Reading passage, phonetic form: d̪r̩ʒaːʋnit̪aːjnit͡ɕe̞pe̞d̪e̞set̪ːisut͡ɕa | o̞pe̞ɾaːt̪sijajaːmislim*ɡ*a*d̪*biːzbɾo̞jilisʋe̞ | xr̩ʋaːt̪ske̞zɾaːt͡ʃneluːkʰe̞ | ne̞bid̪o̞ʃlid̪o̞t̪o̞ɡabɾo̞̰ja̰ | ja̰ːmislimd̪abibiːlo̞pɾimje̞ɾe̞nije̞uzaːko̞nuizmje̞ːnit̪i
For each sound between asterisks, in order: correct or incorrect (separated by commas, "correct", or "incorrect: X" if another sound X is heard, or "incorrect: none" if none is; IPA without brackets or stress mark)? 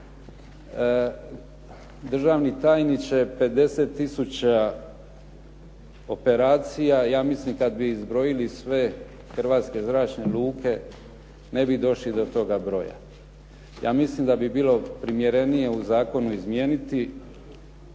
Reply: incorrect: k, correct